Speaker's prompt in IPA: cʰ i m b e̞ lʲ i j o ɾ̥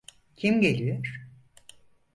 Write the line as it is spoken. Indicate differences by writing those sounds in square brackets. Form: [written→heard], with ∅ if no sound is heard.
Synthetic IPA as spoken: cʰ i m [b→ɟ] e̞ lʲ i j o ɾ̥